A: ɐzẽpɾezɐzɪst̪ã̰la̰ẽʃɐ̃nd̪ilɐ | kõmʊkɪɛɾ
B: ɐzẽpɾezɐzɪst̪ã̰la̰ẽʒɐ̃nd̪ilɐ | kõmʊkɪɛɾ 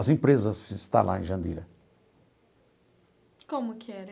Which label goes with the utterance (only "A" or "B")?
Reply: B